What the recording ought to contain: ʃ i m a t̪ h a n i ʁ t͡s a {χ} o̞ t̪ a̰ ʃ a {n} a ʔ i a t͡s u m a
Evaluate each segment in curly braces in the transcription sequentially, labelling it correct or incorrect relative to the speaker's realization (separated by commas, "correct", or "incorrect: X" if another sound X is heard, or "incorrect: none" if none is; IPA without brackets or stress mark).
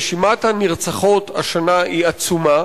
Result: correct, correct